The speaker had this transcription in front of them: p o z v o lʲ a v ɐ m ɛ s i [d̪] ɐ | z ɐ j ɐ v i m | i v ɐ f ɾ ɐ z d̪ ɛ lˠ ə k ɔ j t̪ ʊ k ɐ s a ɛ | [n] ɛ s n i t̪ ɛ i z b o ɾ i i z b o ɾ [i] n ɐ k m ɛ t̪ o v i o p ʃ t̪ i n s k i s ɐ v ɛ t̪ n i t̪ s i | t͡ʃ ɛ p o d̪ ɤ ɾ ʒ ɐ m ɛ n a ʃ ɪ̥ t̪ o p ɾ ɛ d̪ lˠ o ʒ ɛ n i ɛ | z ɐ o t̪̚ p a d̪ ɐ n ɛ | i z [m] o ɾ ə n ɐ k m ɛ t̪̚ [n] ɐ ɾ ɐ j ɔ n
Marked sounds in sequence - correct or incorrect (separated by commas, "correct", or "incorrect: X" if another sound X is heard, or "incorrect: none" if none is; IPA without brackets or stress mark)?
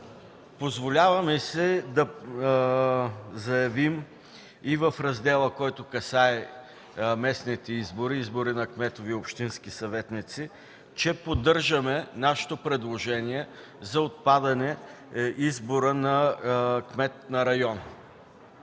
correct, incorrect: m, correct, incorrect: b, correct